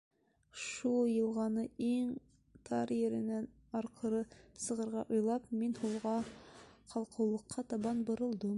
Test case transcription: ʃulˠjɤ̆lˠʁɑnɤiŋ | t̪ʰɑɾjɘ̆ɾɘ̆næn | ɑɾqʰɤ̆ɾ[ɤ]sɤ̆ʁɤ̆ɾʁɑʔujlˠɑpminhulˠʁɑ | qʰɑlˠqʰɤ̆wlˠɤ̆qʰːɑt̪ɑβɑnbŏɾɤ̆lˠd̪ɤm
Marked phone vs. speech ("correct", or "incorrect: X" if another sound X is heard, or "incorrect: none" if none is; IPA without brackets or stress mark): correct